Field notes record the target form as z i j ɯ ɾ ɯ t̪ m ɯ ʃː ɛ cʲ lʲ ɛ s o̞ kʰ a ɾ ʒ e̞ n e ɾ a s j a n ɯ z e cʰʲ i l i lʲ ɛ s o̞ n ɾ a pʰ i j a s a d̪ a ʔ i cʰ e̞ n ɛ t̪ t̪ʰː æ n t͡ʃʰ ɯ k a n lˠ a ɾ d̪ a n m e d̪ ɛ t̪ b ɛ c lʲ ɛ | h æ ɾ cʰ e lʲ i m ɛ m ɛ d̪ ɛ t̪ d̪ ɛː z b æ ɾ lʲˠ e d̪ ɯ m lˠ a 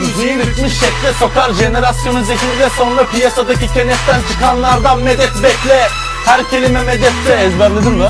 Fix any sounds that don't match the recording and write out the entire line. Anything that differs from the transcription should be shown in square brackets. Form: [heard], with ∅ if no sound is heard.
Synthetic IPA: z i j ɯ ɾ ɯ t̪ m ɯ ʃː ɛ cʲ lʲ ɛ s o̞ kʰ a ɾ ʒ e̞ n e ɾ a s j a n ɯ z e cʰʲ i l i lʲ ɛ s o̞ n ɾ a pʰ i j a s a d̪ a [c] i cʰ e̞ n ɛ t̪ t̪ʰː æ n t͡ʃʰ ɯ k a n lˠ a ɾ d̪ a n m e d̪ ɛ t̪ b ɛ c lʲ ɛ | h æ ɾ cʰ e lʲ i m ɛ m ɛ d̪ ɛ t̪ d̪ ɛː z b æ ɾ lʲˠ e d̪ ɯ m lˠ a